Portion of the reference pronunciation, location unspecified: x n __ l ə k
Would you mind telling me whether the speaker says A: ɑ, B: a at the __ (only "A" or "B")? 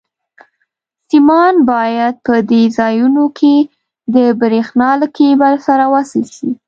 A